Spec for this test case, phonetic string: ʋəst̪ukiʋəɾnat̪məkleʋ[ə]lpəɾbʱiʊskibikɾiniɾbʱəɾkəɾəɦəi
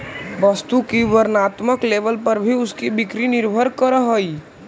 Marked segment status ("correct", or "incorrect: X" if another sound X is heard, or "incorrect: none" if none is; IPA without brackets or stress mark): correct